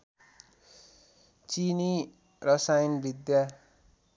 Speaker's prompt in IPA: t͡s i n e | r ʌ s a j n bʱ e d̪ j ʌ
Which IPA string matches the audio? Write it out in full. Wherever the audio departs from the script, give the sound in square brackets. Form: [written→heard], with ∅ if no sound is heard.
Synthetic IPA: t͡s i n [e→i] | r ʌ s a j n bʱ [e→i] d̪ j [ʌ→a]